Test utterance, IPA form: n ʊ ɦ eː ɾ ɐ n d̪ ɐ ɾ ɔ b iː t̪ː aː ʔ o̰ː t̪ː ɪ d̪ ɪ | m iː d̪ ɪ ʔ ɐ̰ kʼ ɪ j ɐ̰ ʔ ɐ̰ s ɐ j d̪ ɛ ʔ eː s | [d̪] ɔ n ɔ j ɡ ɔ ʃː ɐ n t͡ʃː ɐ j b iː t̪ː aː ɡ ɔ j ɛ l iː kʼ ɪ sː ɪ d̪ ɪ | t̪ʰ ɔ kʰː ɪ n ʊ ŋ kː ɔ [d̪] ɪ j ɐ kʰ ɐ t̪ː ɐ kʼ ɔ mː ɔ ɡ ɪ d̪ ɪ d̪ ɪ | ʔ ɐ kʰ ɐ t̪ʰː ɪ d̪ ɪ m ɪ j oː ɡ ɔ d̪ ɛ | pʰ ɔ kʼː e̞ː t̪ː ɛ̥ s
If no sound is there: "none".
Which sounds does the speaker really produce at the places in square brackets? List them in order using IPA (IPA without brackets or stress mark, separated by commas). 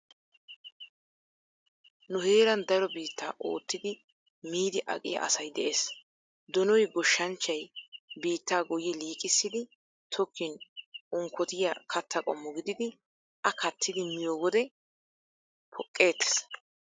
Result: d̪, t̪